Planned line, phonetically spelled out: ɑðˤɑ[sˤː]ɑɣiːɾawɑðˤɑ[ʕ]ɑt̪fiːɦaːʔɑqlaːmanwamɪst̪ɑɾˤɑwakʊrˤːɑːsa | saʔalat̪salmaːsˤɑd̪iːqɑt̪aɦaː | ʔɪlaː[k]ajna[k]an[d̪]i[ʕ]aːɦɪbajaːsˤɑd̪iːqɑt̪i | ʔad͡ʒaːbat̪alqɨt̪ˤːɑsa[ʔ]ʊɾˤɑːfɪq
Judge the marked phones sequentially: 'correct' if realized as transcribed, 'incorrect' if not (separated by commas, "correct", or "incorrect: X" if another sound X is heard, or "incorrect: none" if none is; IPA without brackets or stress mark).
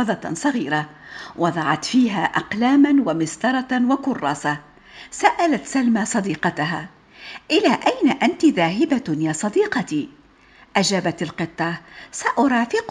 incorrect: sˤ, correct, incorrect: ʔ, incorrect: ʔ, incorrect: t̪, incorrect: ð, correct